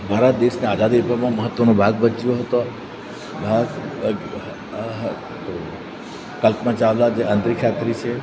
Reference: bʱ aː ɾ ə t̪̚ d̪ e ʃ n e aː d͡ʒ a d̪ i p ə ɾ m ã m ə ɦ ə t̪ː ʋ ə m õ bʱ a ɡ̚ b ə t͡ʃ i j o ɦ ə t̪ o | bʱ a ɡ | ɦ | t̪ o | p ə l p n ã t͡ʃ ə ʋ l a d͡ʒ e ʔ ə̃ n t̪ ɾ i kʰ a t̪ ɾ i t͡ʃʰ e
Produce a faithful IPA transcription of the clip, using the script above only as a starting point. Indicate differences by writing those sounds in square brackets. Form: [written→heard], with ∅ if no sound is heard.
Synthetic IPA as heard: bʱ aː ɾ ə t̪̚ d̪ e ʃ n e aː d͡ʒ a d̪ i p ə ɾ m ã m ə ɦ ə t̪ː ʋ ə [m→n] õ bʱ a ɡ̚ b ə t͡ʃ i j o ɦ ə t̪ o | bʱ a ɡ | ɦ | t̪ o | [p→k] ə l p [n→m] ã t͡ʃ [ə→a] ʋ l a d͡ʒ e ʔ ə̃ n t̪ ɾ i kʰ a t̪ ɾ i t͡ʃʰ e